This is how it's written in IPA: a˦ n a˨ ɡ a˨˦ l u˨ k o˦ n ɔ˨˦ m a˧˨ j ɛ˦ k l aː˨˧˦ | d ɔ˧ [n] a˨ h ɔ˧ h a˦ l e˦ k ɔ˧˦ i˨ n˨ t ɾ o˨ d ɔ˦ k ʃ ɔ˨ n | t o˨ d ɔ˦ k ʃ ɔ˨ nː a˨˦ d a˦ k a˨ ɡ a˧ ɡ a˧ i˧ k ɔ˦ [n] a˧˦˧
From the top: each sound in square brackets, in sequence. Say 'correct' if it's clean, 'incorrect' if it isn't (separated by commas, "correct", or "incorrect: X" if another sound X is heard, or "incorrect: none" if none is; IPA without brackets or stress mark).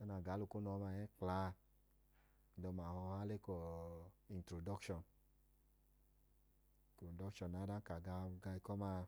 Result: incorrect: m, incorrect: m